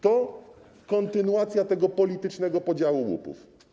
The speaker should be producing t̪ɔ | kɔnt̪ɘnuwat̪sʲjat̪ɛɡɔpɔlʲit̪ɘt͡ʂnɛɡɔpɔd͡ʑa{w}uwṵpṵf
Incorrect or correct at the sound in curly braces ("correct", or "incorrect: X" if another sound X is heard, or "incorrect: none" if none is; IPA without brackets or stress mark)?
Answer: correct